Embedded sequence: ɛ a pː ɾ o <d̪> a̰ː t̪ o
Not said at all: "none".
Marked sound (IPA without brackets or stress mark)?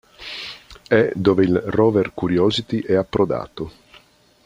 d̪